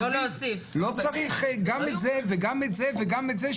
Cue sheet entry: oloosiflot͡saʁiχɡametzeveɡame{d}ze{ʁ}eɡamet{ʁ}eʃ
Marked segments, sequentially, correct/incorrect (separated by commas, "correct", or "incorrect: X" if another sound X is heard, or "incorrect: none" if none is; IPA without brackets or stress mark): incorrect: t, incorrect: v, incorrect: z